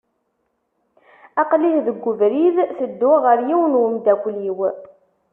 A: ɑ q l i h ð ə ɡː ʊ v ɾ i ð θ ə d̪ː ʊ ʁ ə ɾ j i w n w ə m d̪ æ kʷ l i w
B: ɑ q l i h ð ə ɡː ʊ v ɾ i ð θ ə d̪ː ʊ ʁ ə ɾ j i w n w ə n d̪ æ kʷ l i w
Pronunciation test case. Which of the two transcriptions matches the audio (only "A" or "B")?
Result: A